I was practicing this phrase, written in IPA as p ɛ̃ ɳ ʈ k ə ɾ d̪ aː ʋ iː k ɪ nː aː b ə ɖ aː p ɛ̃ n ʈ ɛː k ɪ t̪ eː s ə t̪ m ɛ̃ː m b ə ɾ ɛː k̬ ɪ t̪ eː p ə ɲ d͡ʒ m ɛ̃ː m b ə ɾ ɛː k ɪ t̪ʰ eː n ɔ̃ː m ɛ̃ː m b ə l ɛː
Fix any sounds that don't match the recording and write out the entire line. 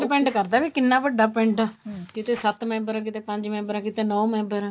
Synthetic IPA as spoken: p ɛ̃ ɳ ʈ k ə ɾ d̪ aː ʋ iː k ɪ nː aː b ə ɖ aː p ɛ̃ ɳ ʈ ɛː k ɪ t̪ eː s ə t̪ m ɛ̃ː m b ə ɾ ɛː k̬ ɪ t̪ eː p ə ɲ d͡ʒ m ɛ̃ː m b ə ɾ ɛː k ɪ t̪ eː n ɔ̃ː m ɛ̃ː m b ə ɾ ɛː

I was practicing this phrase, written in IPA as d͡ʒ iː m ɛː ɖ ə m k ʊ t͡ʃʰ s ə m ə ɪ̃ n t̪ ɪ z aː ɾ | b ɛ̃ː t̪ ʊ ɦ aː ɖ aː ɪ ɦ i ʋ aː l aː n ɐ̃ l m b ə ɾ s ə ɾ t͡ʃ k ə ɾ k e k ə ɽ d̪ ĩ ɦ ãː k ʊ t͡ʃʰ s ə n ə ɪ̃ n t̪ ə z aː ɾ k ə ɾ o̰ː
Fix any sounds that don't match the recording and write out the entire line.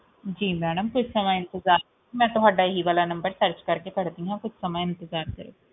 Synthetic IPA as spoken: d͡ʒ iː m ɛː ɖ ə m k ʊ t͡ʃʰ s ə m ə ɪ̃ n t̪ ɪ z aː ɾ | m ɛ̃ː t̪ ʊ ɦ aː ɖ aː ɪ ɦ i ʋ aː l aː n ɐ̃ m b ə ɾ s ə ɾ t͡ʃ k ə ɾ k e k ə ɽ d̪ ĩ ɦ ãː k ʊ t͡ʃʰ s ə m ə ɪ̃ n t̪ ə z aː ɾ k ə ɾ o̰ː

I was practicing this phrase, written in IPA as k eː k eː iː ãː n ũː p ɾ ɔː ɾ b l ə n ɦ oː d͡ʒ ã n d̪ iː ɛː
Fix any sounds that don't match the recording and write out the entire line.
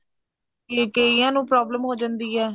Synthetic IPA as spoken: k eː k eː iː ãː n ũː p ɾ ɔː b l ə m ɦ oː d͡ʒ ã n d̪ iː ɛː

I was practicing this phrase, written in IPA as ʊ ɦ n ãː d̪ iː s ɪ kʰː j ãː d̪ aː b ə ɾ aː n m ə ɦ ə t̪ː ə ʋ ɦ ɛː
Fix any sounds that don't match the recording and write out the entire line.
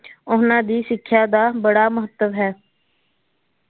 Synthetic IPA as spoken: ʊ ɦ n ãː d̪ iː s ɪ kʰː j aː d̪ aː b ə ɽ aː m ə ɦ ə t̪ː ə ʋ ɦ ɛː

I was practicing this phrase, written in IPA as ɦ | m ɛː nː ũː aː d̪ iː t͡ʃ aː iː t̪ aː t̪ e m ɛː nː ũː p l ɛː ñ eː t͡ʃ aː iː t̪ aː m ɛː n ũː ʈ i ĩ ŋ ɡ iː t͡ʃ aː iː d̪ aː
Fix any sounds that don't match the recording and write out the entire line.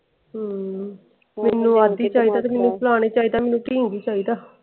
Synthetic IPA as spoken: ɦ | m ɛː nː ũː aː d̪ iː t͡ʃ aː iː d̪ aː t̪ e m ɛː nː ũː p l aː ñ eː t͡ʃ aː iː d̪ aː m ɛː n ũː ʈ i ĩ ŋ ɡ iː t͡ʃ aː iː d̪ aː

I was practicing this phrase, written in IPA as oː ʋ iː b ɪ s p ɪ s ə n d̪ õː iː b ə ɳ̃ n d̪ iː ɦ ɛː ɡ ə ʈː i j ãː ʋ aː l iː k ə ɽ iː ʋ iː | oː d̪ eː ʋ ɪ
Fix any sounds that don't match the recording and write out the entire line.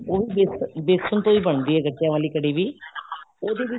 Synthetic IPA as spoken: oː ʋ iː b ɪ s b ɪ s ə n t̪ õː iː b ə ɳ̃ n d̪ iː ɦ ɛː ɡ ə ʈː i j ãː ʋ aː l iː k ə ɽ iː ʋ iː | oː d̪ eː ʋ ɪ

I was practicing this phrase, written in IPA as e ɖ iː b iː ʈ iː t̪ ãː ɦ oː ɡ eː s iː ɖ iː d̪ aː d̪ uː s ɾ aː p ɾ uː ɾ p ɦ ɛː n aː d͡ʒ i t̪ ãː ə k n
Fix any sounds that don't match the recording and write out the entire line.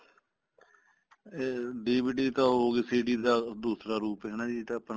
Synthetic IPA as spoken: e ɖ iː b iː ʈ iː t̪ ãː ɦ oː ɡ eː s iː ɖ iː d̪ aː d̪ uː s ɾ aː ɾ uː p ɦ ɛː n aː d͡ʒ i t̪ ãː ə p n

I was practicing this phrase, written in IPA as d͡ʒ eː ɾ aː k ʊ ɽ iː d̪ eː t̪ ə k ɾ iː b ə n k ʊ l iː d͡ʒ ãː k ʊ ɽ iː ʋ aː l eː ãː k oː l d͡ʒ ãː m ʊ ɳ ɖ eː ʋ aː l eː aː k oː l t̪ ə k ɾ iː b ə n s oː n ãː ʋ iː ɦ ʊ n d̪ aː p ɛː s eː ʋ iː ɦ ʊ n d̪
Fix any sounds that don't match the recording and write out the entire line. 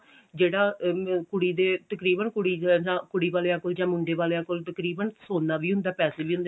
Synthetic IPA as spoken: d͡ʒ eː ɽ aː k ʊ ɽ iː d̪ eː t̪ ə k ɾ iː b ə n k ʊ ɽ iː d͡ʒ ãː k ʊ ɽ iː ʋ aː l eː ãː k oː l d͡ʒ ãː m ʊ ɳ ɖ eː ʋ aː l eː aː k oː l t̪ ə k ɾ iː b ə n s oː n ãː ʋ iː ɦ ʊ n d̪ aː p ɛː s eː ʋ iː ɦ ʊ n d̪

